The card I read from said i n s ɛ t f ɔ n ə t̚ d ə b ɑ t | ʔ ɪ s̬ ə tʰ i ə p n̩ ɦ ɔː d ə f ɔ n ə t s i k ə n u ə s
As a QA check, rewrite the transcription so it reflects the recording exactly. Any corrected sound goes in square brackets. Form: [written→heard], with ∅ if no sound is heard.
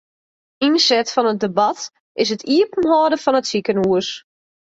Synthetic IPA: i n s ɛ t f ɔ n ə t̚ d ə b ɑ t | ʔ ɪ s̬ ə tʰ i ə p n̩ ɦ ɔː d ə f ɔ n ə t s i k ə n u ə s